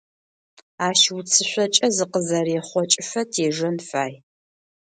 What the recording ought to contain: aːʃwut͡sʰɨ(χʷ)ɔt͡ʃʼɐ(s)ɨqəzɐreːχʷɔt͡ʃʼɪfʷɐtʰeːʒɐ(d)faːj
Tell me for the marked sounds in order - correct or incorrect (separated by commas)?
incorrect, incorrect, incorrect